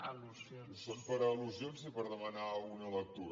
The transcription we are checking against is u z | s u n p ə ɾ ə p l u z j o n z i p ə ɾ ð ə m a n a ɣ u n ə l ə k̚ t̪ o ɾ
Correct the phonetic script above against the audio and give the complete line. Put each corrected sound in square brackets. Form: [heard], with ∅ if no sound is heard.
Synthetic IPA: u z | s [o] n p ə ɾ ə [∅] l u z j o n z i p ə ɾ ð ə m [ə] n a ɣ u n ə l ə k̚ t̪ [u] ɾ